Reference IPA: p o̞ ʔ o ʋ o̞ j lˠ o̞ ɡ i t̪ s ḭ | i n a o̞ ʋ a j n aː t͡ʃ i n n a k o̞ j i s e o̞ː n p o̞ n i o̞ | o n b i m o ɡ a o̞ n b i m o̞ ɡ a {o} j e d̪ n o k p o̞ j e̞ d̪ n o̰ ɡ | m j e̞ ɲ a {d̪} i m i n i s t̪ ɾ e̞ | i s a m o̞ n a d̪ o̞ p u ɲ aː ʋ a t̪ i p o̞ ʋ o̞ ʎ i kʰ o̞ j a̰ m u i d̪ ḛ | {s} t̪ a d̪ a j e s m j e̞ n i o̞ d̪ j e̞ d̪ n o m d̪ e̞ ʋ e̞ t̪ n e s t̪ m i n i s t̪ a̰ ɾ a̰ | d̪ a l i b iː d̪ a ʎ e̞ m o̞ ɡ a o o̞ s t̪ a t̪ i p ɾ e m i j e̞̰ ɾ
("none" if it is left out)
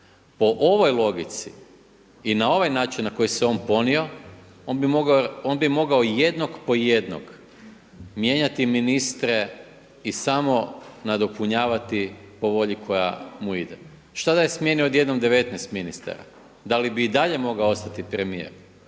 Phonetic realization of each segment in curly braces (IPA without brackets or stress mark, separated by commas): o, t̪, ʃ